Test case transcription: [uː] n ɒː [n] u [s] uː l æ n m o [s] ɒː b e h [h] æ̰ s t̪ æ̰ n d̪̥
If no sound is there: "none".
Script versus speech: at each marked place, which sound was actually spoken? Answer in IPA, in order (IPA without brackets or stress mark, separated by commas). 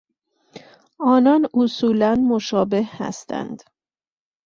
ɒː, n, s, ʃ, h